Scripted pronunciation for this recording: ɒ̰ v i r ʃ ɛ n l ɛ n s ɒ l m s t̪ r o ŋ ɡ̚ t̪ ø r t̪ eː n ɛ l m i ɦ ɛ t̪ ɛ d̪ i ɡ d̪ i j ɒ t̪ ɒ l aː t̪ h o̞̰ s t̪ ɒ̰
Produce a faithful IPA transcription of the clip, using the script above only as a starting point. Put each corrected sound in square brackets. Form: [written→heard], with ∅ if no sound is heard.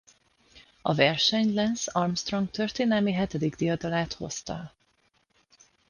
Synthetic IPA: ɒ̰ v [i→ɛ] r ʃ ɛ [n→ɲ] l ɛ n s ɒ [l→r] m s t̪ r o ŋ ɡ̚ t̪ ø r t̪ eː n ɛ l m i ɦ ɛ t̪ ɛ d̪ i ɡ d̪ i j ɒ [t̪→d̪] ɒ l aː t̪ h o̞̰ s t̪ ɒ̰